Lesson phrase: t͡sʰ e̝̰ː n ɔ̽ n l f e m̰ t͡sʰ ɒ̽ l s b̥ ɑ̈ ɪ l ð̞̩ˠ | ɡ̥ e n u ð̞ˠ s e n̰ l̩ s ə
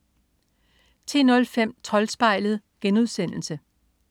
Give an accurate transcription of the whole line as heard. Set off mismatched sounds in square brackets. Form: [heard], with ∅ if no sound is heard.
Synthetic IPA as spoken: t͡sʰ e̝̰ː n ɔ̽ [∅] l f e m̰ t͡sʰ ɒ̽ l s b̥ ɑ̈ ɪ l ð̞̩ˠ | ɡ̥ e n u ð̞ˠ s e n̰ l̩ s ə